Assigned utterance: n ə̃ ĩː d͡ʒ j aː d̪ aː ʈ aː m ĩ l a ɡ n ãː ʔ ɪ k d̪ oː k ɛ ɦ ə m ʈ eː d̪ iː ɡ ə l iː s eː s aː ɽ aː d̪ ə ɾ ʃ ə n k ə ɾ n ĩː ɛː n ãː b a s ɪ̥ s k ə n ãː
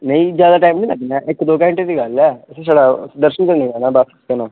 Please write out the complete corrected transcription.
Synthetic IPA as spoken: n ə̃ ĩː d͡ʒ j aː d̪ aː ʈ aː m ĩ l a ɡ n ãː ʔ ɪ k d̪ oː k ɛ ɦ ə ɳ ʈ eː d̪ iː ɡ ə l ɛː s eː s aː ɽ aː d̪ ə ɾ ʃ ə n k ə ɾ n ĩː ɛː n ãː b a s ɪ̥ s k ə n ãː

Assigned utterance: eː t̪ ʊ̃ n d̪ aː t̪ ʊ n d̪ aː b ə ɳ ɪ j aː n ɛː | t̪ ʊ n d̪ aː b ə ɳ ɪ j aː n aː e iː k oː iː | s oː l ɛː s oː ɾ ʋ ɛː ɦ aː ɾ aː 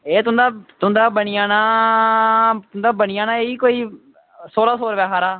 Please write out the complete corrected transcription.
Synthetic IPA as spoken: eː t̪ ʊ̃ n d̪ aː t̪ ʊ n d̪ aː b ə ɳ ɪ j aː n aː | t̪ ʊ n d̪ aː b ə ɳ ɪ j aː n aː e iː k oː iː | s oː l aː s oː ɾ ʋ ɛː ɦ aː ɾ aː

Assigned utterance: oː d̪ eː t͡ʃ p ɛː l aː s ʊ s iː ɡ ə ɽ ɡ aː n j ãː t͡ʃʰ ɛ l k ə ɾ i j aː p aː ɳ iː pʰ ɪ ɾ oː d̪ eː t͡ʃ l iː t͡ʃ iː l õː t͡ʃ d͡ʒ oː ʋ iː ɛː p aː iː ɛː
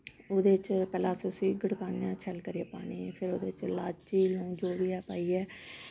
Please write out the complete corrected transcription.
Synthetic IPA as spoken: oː d̪ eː t͡ʃ p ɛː l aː s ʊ s iː ɡ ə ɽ k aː n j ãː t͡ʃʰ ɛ l k ə ɾ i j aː p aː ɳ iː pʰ ɪ ɾ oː d̪ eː t͡ʃ l aː t͡ʃ iː l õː d͡ʒ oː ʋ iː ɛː p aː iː ɛː

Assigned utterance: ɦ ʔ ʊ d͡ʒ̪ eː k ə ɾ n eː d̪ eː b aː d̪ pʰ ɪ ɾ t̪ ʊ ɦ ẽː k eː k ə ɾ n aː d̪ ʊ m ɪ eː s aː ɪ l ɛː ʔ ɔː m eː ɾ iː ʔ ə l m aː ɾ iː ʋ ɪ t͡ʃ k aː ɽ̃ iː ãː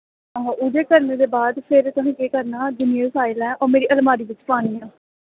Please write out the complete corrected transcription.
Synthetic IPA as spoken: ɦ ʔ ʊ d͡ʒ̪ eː k ə ɾ n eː d̪ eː b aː d̪ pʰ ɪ ɾ t̪ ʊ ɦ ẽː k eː k ə ɾ n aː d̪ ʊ n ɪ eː s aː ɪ l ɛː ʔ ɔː m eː ɾ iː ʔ ə l m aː ɾ iː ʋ ɪ t͡ʃ p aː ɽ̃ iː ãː

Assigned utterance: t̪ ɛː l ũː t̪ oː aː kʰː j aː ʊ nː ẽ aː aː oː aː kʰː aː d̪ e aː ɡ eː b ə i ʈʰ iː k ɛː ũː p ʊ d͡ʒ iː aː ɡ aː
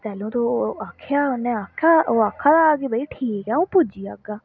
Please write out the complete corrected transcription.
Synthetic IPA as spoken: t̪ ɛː l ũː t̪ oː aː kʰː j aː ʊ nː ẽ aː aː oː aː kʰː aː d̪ a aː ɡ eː b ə i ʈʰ iː k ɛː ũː p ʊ d͡ʒ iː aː ɡ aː

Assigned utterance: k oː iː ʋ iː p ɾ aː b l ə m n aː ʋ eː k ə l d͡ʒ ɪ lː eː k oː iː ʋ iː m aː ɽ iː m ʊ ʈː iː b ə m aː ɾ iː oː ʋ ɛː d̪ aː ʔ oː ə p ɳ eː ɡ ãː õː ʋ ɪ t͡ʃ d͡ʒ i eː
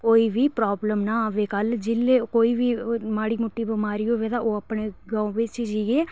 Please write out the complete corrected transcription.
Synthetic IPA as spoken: k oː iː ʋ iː p ɾ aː b l ə m n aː ʋ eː k ə l d͡ʒ ɪ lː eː k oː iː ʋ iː m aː ɽ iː m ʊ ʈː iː b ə m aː ɾ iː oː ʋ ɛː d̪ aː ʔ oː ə p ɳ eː ɡ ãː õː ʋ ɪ t͡ʃ d͡ʒ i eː

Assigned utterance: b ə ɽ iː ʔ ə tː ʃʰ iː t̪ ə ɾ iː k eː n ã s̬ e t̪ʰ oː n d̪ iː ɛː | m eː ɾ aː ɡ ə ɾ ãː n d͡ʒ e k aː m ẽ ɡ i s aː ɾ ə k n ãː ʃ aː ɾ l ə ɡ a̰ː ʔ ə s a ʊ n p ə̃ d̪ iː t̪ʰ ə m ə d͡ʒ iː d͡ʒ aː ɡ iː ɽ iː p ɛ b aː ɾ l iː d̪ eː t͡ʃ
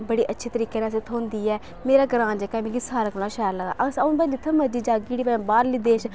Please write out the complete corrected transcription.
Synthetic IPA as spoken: b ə ɽ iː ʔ ə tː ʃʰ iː t̪ ə ɾ iː k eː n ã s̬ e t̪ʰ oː n d̪ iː ɛː | m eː ɾ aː ɡ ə ɾ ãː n d͡ʒ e k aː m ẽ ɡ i s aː ɾ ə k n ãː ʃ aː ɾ l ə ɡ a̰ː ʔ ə s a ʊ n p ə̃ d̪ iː t̪ʰ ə m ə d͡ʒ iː d͡ʒ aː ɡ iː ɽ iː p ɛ b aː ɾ l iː d̪ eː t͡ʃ

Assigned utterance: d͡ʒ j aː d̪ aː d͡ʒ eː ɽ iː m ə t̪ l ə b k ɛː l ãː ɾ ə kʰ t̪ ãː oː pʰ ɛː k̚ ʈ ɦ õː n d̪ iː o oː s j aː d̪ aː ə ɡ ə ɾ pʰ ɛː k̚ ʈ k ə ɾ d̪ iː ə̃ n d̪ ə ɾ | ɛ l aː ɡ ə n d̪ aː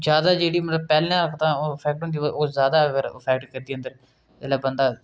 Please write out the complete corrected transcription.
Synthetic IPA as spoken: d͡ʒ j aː d̪ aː d͡ʒ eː ɽ iː m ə t̪ l ə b p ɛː l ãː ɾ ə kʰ t̪ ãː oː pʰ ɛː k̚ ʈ ɦ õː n d̪ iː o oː z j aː d̪ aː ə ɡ ə ɾ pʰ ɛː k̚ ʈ k ə ɾ d̪ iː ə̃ n d̪ ə ɾ | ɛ l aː b ə n d̪ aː

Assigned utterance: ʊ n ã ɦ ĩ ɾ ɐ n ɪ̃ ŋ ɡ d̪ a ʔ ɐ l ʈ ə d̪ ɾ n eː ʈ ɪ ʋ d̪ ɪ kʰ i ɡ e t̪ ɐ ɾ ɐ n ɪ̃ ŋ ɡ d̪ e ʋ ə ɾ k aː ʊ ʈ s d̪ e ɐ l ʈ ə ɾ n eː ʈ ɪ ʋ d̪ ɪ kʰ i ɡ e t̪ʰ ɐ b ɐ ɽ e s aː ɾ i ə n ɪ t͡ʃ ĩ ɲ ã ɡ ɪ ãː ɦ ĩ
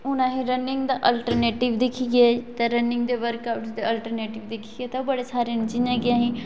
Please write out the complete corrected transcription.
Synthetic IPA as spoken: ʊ n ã ɦ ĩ ɾ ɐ n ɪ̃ ŋ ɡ d̪ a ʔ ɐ l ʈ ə ɾ n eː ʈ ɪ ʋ d̪ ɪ kʰ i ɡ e t̪ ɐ ɾ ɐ n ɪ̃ ŋ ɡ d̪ e ʋ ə ɾ k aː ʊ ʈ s d̪ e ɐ l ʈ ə ɾ n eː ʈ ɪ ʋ d̪ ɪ kʰ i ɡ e t̪ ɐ b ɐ ɽ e s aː ɾ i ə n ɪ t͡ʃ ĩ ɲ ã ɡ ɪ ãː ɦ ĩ

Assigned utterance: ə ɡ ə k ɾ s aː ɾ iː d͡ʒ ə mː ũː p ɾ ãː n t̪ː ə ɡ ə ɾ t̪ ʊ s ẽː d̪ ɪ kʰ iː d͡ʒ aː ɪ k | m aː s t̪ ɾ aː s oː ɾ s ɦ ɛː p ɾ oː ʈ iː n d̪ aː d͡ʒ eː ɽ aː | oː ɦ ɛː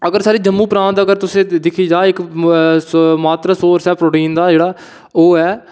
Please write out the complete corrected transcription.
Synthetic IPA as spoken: ə ɡ ə ɾ s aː ɾ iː d͡ʒ ə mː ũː p ɾ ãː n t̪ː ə ɡ ə ɾ t̪ ʊ s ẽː d̪ ɪ kʰ iː d͡ʒ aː ɪ k | m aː t̪ ɾ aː s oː ɾ s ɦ ɛː p ɾ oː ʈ iː n d̪ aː d͡ʒ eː ɽ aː | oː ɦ ɛː

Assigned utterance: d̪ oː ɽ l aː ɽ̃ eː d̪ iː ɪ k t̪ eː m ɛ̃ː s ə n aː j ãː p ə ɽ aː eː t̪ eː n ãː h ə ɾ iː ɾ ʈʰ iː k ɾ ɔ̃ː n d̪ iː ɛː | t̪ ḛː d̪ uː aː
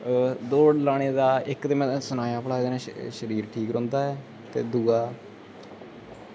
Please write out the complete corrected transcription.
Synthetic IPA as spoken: d̪ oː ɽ l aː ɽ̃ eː d̪ aː ɪ k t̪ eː m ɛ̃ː s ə n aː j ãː p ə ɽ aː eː d̪ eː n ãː ʃ ə ɾ iː ɾ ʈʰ iː k ɾ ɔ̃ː n d̪ aː ɛː | t̪ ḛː d̪ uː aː

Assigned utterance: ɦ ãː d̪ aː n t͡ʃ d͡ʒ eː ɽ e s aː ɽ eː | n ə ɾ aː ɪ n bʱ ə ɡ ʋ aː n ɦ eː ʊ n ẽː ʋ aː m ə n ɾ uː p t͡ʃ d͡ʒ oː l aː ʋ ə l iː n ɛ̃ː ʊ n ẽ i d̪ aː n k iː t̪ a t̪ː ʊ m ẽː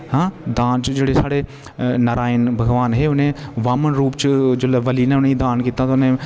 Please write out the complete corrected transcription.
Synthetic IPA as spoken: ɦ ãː d̪ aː n t͡ʃ d͡ʒ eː ɽ e s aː ɽ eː | n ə ɾ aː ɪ n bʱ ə ɡ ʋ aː n ɦ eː ʊ n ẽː ʋ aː m ə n ɾ uː p t͡ʃ d͡ʒ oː l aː ʋ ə l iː n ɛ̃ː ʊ n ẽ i d̪ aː n k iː t̪ a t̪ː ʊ n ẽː

